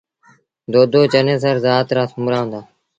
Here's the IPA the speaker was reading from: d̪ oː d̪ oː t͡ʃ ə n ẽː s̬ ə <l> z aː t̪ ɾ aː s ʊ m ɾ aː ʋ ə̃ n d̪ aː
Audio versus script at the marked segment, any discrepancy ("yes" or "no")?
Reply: yes